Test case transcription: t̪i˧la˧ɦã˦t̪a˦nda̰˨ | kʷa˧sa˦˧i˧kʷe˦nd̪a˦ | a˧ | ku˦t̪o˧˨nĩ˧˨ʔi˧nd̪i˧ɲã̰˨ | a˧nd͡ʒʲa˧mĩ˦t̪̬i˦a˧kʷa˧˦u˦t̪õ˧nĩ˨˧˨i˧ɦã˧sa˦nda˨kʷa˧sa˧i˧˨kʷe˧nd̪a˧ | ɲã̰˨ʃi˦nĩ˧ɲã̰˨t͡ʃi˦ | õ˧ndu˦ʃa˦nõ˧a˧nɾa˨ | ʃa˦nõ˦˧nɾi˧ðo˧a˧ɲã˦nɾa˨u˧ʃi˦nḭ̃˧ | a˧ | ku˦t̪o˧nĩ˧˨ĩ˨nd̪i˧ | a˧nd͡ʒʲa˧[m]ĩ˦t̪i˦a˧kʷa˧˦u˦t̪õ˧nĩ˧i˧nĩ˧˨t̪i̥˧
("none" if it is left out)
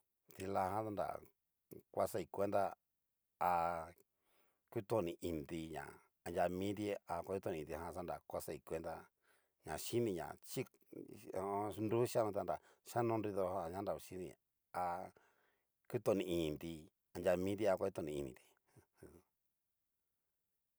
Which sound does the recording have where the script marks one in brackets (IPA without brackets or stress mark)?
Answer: m